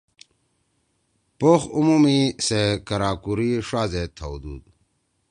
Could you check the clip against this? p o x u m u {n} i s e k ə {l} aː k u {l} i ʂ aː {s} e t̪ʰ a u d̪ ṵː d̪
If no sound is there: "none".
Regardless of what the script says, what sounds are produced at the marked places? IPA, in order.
m, ɾ, ɾ, z

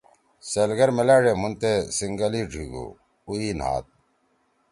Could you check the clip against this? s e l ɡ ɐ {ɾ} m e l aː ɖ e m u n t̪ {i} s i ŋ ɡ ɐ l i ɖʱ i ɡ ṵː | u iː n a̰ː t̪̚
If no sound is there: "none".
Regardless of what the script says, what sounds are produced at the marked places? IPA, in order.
ɾ, e

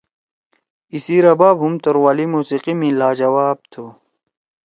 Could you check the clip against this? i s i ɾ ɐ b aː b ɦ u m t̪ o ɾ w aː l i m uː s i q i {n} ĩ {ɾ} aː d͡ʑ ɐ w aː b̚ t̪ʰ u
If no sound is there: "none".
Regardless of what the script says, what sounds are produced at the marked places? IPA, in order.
m, l

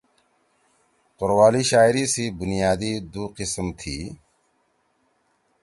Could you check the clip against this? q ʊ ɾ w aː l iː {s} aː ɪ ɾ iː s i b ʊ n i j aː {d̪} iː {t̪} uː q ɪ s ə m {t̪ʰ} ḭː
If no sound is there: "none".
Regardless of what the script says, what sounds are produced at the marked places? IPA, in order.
ʃ, d̪, d̪, t̪ʰ

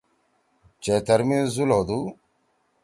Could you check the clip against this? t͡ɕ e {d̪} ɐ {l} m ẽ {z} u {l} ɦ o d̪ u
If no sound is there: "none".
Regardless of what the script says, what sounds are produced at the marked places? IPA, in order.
t̪, ɾ, z, l

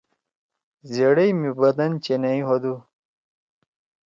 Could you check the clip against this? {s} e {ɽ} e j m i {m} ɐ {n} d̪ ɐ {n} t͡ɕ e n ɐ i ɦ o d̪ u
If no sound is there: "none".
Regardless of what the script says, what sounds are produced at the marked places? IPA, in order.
z, ɽ, b, none, n

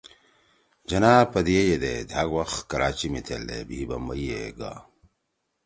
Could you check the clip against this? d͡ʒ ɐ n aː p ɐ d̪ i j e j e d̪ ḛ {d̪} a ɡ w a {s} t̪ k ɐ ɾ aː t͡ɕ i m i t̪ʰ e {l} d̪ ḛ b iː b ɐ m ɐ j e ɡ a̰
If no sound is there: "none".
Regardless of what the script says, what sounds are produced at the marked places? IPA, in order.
d̪, x, l

